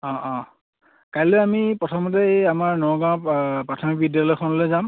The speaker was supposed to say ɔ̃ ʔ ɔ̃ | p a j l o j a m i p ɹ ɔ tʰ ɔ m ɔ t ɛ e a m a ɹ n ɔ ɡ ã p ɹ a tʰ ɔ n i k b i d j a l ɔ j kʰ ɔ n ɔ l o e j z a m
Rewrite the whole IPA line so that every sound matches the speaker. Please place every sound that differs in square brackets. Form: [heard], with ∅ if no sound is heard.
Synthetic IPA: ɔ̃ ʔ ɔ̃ | [k] a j l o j a m i p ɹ ɔ tʰ ɔ m ɔ t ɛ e a m a ɹ n ɔ ɡ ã p ɹ a tʰ ɔ [m] i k b i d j a l ɔ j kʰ ɔ n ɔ l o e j z a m